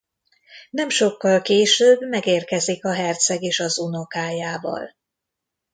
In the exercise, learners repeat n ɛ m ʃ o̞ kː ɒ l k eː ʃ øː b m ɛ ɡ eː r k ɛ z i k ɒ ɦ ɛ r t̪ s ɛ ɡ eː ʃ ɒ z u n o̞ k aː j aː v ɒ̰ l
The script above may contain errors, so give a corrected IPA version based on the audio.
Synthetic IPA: n ɛ m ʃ o̞ kː ɒ l k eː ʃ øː b m ɛ ɡ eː r k ɛ z i k ɒ ɦ ɛ r t̪ s ɛ ɡ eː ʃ ɒ z u n o̞ k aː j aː v ɒ̰ l